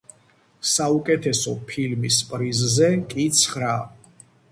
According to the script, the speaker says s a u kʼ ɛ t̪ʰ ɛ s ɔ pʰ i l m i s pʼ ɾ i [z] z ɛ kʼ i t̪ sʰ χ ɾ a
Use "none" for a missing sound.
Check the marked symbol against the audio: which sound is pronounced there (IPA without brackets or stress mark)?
z